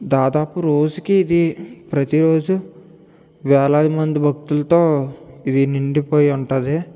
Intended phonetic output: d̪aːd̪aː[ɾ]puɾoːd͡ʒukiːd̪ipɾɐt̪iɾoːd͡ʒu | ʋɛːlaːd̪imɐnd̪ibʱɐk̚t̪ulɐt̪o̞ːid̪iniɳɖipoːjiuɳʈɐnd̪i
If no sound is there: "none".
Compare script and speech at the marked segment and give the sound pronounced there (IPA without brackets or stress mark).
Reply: none